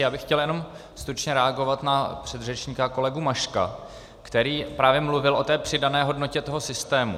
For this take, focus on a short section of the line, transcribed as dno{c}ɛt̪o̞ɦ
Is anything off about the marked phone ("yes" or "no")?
no